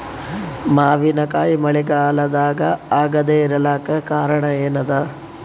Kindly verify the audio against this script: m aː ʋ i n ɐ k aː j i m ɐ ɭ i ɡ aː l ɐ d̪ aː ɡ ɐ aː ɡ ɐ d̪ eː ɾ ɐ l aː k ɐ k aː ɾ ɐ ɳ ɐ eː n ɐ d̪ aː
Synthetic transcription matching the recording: m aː ʋ i n ɐ k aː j i m ɐ ɭ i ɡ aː l ɐ d̪ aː ɡ ɐ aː ɡ ɐ d̪ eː ɾ ɐ l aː k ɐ k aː ɾ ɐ ɳ ɐ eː n ɐ d̪ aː